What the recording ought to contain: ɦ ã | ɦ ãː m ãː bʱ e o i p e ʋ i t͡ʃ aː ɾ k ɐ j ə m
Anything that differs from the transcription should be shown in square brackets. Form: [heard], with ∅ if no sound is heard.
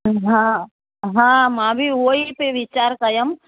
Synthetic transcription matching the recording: ɦ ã | ɦ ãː m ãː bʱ [i] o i p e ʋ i t͡ʃ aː ɾ k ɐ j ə m